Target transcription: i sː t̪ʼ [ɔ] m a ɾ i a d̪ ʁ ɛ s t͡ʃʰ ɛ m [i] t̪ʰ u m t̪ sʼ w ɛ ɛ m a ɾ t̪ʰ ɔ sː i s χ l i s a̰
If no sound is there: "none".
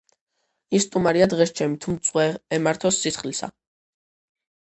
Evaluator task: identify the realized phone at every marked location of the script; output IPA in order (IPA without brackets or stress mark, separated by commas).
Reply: u, i